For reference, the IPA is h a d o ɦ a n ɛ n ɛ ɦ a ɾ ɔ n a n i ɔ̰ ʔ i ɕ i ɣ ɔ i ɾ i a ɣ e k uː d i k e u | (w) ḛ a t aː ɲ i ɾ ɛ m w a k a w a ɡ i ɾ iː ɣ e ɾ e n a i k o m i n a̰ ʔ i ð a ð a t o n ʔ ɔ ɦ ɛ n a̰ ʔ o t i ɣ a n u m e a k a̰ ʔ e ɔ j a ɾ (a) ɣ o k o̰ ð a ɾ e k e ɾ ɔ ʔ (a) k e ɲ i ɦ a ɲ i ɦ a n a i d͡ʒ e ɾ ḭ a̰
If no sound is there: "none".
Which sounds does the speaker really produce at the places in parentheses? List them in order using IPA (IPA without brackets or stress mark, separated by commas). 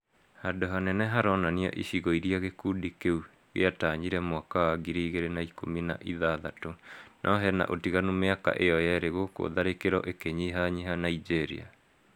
ɣ, e, e